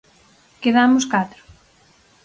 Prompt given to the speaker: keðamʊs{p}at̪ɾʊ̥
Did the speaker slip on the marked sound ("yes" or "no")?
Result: yes